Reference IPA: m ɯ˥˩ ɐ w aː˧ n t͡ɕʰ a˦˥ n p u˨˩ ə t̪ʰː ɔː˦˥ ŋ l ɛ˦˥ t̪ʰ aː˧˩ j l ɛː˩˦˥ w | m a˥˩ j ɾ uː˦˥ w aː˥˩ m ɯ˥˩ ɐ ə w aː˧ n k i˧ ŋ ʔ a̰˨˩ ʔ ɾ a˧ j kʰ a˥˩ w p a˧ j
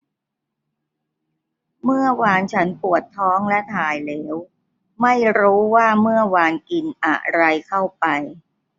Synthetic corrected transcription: m ɯ˥˩ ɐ w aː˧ n t͡ɕʰ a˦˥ n p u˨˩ ə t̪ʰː ɔː˦˥ ŋ l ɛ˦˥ t̪ʰ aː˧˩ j l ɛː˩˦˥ w | m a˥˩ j ɾ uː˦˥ w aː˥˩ m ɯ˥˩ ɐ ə w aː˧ n k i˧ n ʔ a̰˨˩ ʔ ɾ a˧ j kʰ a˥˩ w p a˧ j

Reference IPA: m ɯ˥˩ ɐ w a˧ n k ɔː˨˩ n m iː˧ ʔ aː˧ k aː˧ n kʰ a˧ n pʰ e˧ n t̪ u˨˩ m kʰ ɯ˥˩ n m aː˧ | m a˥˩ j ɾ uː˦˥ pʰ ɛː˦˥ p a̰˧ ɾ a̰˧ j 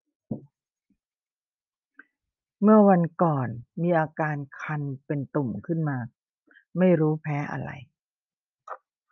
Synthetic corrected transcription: m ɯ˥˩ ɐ w a˧ n k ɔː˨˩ n m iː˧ ʔ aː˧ k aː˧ n kʰ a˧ n p e˧ n t̪ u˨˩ m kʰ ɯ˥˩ n m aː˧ | m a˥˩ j ɾ uː˦˥ pʰ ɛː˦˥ ʔ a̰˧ ɾ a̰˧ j

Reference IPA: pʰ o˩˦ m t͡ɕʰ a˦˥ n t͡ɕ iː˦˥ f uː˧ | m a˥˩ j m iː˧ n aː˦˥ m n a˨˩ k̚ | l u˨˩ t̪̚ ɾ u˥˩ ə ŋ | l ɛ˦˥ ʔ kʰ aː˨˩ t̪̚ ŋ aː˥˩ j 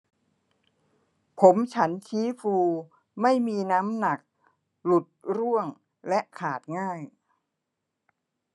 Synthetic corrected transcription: pʰ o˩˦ m t͡ɕʰ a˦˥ n t͡ɕʰ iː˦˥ f uː˧ | m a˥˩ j m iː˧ n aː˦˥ m n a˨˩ k̚ | l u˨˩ t̪̚ ɾ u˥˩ ə ŋ | l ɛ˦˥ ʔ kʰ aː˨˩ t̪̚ ŋ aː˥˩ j

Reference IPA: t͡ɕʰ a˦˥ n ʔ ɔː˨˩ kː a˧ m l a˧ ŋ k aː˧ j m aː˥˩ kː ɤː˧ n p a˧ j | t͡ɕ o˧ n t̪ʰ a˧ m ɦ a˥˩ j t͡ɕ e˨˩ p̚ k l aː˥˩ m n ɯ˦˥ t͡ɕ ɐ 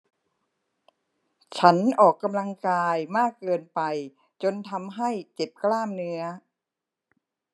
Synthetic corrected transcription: t͡ɕʰ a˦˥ n ʔ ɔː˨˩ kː a˧ m l a˧ ŋ k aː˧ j m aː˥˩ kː ɤː˧ n p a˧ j | t͡ɕ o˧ n t̪ʰ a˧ m ɦ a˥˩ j t͡ɕ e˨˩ p̚ k l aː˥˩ m n ɯ˦˥ ɐ

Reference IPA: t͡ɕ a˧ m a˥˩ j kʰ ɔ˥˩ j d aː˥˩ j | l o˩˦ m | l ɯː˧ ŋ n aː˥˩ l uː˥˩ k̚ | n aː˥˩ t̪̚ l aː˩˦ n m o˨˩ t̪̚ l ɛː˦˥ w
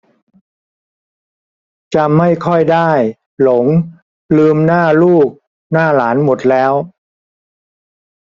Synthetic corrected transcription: t͡ɕ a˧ m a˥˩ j kʰ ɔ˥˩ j d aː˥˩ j | l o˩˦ ŋ | l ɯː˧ m n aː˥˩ l uː˥˩ k̚ | n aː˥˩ l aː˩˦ n m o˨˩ t̪̚ l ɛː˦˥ w

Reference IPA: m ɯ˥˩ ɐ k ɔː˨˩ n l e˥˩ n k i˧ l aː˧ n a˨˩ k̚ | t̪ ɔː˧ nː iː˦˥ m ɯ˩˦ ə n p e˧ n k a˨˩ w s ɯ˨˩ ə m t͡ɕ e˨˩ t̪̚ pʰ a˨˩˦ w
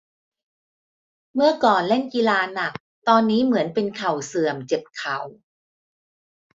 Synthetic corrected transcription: m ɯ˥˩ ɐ k ɔː˨˩ n l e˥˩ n k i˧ l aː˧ n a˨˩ k̚ | t̪ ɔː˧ nː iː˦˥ m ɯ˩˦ ə n p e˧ n kʰ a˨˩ w s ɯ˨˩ ə m t͡ɕ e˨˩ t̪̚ kʰ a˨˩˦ w

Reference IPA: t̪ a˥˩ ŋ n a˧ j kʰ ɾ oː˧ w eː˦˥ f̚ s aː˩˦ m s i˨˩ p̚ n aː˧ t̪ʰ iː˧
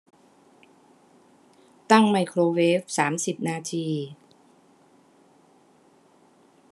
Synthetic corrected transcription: t̪ a˥˩ ŋ m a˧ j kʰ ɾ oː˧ w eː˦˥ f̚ s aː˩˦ m s i˨˩ p̚ n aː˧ t̪ʰ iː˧

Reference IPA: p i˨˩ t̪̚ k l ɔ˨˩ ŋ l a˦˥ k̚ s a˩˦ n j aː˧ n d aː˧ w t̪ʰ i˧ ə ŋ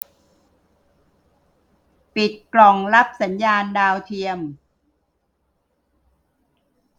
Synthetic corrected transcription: p i˨˩ t̪̚ k l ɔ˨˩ ŋ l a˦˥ p̚ s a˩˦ n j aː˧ n d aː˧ w t̪ʰ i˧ ə m

